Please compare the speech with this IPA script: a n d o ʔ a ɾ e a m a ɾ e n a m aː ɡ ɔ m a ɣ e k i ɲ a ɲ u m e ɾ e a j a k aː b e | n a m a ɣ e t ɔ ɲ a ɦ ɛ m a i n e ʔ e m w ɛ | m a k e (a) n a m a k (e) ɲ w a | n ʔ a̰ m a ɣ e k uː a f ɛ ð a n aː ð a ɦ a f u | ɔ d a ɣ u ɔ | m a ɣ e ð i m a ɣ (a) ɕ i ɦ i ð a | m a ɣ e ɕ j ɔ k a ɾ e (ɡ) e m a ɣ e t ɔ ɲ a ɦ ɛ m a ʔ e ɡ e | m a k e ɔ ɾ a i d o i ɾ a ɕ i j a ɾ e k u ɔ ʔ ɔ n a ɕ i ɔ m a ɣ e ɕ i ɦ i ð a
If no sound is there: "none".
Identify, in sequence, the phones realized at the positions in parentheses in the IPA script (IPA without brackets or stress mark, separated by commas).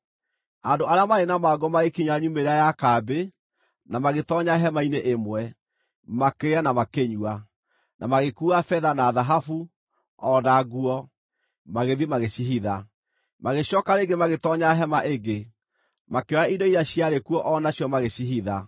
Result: a, e, e, ɡ